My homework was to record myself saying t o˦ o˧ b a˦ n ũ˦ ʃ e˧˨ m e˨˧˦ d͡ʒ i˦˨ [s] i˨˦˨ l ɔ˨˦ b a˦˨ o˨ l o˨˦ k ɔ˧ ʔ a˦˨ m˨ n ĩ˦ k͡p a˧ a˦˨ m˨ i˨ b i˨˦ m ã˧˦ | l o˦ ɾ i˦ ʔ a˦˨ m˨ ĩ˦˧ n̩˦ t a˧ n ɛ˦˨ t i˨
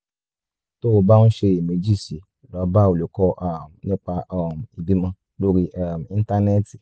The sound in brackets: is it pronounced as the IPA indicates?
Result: yes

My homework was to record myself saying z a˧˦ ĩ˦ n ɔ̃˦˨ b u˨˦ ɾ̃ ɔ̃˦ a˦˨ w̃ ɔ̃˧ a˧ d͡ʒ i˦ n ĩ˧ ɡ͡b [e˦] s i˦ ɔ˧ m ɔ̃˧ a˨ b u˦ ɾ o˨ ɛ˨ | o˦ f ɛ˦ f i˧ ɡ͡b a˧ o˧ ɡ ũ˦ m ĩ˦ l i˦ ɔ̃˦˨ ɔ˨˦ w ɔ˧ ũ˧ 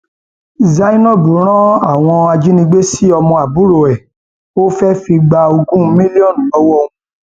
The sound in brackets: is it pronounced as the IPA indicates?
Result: yes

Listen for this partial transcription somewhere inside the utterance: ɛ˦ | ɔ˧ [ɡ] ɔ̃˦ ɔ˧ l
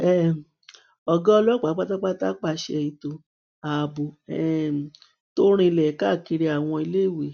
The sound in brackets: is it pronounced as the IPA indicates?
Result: yes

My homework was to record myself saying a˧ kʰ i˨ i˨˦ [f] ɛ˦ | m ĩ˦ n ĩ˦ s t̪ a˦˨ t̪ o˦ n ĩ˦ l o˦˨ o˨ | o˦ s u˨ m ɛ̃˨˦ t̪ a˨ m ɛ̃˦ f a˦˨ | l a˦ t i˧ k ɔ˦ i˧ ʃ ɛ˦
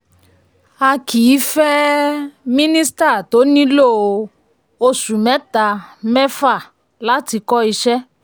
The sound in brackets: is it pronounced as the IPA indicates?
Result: yes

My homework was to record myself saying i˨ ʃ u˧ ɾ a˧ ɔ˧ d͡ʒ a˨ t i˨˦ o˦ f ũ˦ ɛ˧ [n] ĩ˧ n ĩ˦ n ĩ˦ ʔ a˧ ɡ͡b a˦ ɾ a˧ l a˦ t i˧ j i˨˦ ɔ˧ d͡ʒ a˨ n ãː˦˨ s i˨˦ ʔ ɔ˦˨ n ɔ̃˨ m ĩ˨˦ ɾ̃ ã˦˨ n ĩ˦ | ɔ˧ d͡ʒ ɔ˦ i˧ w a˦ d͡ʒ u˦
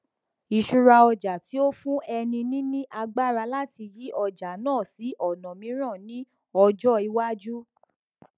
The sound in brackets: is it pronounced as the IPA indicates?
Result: yes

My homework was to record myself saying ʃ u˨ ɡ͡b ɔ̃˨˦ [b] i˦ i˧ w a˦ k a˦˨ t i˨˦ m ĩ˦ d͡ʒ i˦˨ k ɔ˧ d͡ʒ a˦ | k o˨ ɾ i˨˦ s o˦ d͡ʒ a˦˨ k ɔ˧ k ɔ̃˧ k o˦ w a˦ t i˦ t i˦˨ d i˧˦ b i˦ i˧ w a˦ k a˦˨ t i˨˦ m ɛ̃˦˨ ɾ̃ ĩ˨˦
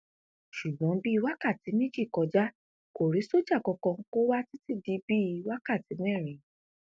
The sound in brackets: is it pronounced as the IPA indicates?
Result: yes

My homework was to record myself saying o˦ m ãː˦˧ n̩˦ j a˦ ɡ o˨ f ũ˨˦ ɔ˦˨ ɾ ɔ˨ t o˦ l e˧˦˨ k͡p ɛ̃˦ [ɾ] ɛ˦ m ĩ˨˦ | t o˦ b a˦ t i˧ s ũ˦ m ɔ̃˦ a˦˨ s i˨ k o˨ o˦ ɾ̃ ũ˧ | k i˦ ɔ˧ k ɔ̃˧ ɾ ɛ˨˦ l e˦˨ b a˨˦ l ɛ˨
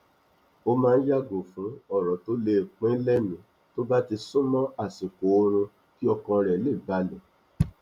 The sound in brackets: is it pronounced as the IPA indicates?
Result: no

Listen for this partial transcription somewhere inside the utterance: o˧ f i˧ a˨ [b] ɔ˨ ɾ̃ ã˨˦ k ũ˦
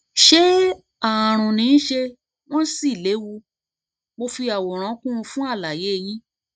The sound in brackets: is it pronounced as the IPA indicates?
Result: no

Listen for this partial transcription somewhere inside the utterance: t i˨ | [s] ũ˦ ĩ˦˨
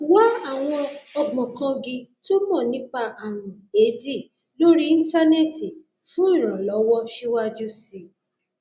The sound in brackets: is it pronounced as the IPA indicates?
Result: no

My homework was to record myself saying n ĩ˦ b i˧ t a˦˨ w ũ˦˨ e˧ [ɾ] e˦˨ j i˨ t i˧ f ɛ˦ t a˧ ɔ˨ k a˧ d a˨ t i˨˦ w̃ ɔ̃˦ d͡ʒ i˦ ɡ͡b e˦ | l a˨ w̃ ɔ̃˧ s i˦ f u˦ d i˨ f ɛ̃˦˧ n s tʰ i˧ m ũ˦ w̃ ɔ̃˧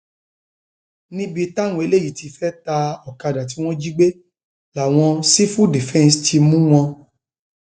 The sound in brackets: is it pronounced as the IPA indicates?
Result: no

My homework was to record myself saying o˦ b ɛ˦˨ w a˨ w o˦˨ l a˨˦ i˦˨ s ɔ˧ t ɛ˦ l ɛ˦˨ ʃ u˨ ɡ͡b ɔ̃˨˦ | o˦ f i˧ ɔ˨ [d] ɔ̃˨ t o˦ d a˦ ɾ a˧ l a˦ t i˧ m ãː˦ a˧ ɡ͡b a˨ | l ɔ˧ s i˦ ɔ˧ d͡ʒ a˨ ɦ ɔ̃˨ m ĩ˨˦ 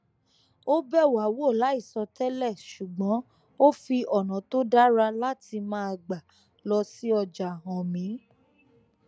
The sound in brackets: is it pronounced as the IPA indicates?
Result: no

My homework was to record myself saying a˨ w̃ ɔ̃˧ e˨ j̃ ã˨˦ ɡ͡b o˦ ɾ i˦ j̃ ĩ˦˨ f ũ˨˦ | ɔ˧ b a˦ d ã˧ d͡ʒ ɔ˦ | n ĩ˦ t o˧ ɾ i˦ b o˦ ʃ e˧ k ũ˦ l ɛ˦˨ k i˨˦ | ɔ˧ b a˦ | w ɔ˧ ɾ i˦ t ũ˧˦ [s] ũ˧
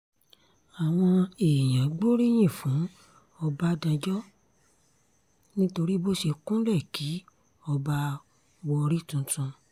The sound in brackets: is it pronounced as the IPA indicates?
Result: no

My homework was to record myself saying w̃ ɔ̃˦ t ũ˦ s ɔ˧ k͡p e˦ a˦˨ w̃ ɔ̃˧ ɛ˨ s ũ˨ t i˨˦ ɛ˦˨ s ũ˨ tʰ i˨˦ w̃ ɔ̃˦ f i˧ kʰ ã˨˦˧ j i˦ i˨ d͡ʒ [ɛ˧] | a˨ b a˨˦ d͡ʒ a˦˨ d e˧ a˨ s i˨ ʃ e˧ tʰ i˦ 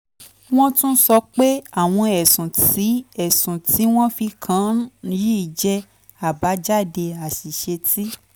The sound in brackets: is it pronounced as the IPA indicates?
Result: yes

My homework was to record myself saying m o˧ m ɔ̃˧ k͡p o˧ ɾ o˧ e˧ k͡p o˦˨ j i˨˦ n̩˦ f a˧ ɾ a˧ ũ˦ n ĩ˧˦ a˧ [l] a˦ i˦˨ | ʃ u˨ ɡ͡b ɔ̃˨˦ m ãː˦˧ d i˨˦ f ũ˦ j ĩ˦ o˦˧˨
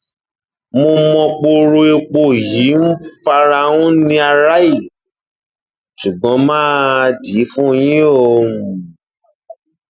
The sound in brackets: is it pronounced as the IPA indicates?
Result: no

